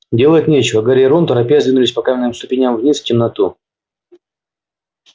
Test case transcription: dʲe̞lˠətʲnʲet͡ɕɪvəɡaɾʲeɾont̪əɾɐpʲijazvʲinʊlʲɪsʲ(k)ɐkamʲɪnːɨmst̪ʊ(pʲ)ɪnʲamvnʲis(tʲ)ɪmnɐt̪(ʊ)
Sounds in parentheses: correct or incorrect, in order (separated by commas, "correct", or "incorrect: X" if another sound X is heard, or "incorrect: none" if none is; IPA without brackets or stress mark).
incorrect: p, correct, correct, incorrect: u